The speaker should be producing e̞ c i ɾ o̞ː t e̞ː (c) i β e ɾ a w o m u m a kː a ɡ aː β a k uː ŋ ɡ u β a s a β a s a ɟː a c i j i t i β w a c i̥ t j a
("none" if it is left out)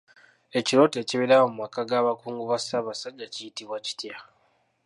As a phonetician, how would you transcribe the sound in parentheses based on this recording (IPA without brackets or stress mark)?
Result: c